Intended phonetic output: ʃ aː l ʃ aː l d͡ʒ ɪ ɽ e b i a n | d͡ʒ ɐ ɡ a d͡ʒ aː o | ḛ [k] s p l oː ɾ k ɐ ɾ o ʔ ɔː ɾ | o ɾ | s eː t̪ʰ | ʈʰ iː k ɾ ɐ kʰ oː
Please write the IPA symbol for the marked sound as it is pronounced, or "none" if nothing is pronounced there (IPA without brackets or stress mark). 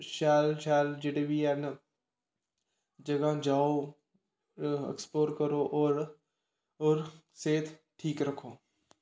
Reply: k